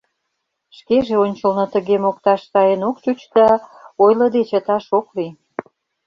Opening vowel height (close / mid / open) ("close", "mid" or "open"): mid